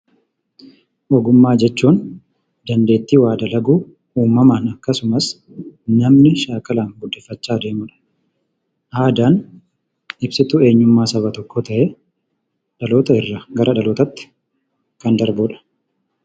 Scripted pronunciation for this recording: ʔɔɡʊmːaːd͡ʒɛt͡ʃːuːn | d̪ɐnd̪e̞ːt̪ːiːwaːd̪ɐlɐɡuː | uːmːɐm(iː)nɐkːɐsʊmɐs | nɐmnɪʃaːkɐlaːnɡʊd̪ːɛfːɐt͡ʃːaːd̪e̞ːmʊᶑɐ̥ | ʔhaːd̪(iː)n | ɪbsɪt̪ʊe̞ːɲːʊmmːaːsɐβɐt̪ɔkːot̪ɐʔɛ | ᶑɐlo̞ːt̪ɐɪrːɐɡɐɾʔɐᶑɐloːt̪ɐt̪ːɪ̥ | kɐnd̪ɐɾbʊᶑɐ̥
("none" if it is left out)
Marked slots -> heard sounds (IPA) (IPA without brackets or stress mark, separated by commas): aː, aː